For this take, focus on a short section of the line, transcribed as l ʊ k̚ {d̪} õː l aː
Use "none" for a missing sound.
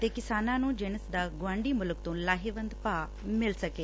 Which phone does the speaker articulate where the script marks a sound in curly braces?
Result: t̪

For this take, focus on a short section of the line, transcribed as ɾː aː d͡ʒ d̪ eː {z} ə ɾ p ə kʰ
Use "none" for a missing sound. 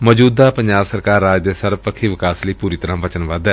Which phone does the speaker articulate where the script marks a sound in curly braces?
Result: s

